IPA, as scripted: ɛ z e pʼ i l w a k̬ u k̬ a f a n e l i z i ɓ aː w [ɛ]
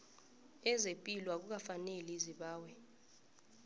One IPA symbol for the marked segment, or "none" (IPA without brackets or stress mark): ɛ